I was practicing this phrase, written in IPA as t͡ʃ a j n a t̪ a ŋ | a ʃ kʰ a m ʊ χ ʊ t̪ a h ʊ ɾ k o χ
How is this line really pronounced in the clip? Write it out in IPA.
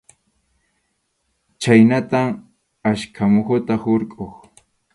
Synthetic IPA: t͡ʃ a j n a t̪ a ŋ | a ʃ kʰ a m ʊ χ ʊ t̪ a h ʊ ɾ kʼ o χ